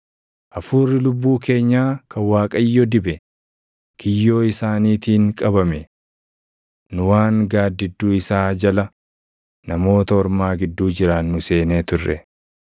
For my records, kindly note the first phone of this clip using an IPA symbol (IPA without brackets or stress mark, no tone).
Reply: ʔ